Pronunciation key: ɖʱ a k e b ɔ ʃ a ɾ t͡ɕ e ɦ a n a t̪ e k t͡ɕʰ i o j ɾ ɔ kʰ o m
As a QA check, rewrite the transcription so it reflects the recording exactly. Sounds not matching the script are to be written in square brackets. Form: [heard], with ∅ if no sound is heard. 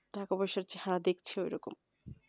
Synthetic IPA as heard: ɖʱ a k [a] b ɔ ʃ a ɾ t͡ɕ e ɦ a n a [d̪] e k t͡ɕʰ [e] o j ɾ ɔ [k] o m